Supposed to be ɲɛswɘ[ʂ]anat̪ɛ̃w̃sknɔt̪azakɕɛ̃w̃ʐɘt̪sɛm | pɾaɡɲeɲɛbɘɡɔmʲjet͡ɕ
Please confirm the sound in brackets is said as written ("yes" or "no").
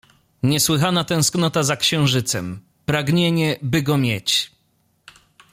no